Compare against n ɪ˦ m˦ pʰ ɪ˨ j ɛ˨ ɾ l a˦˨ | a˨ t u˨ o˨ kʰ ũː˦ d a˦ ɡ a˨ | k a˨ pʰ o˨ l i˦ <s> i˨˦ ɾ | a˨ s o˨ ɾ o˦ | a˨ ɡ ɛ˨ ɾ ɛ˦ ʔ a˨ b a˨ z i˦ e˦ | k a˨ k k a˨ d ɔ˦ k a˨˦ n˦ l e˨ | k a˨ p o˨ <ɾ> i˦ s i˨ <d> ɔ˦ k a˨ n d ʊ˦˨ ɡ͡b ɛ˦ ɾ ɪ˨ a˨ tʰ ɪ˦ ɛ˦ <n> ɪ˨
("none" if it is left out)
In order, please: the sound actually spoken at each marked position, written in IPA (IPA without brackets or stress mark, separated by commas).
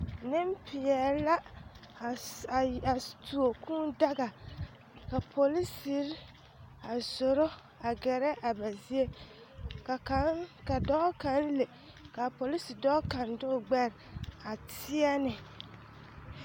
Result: s, l, d, n